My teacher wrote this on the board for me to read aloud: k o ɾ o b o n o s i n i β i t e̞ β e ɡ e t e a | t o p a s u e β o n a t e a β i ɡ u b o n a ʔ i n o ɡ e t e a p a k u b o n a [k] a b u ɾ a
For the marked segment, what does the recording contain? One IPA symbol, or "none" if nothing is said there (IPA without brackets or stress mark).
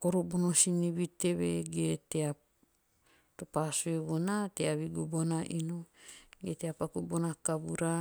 k